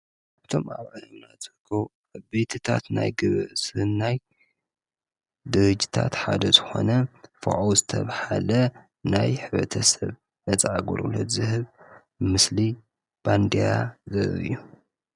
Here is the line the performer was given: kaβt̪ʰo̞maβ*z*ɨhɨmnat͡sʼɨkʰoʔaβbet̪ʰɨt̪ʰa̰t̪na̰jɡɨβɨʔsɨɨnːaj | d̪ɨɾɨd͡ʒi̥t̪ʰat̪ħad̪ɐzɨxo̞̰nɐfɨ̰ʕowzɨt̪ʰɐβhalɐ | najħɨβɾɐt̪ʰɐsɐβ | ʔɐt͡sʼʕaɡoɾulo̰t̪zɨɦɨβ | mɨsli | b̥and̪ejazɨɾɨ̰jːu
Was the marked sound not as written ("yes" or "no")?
yes